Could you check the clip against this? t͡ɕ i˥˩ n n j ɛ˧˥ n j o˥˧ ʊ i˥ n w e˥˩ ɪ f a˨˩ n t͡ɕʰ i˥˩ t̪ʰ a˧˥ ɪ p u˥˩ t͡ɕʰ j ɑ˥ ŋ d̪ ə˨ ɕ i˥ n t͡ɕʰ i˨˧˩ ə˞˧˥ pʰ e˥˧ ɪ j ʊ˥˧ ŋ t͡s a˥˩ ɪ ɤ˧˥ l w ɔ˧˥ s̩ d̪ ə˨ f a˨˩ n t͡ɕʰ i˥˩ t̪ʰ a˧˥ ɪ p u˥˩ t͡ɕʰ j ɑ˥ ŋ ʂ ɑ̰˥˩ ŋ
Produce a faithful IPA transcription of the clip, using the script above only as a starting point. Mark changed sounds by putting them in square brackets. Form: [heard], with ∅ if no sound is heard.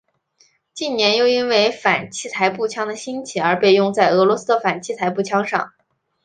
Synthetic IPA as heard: t͡ɕ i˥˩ n n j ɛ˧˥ n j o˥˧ ʊ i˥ n w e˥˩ ɪ f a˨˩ n t͡ɕʰ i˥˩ t̪ʰ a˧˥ ɪ p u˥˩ t͡ɕʰ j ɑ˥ ŋ d̪ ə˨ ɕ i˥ n t͡ɕʰ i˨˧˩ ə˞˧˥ [p] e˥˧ ɪ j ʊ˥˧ ŋ t͡s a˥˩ ɪ ɤ˧˥ l w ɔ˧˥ s̩ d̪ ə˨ f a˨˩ n t͡ɕʰ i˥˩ t̪ʰ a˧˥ ɪ p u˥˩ t͡ɕʰ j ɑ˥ ŋ ʂ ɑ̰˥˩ ŋ